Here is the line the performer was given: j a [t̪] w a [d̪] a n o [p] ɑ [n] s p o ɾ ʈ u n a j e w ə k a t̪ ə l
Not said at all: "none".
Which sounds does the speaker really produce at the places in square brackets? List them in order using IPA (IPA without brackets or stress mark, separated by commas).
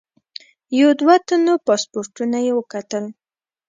d̪, t̪, p, none